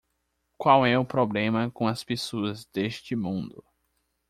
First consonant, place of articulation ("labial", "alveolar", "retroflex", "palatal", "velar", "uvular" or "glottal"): velar